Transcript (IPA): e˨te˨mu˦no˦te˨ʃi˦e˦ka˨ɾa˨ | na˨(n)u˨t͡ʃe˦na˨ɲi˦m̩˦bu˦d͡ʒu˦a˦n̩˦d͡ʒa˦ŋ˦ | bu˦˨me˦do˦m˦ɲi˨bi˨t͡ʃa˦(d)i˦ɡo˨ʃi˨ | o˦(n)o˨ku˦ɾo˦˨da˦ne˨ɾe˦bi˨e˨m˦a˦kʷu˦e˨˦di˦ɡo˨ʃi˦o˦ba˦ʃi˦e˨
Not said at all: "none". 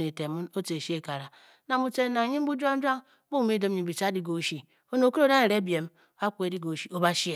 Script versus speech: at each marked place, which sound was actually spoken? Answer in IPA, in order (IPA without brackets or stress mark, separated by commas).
m, d, n